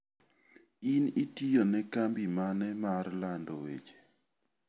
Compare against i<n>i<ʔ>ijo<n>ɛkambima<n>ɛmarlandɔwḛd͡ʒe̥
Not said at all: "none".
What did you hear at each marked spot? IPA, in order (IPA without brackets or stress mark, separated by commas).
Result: n, t, n, n